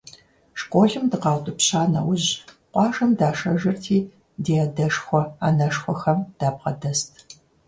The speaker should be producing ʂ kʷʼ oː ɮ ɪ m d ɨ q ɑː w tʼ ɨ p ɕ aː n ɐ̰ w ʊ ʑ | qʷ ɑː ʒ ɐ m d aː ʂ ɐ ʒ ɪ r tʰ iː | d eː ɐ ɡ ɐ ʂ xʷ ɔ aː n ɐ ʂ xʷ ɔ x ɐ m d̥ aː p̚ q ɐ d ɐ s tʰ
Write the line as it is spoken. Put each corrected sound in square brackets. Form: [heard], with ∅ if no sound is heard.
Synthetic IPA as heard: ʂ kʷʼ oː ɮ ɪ m d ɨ q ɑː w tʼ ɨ p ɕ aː n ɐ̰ w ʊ ʑ | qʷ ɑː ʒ ɐ m d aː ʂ ɐ ʒ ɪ r tʰ iː | d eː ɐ [d] ɐ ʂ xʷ ɔ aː n ɐ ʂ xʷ ɔ x ɐ m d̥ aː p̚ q ɐ d ɐ s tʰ